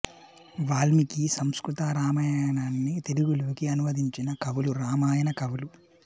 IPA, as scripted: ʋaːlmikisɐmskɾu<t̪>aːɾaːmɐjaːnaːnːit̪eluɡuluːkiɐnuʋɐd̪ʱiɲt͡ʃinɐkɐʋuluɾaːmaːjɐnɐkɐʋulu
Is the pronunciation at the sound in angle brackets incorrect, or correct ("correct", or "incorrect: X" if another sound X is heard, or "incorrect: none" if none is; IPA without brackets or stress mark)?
correct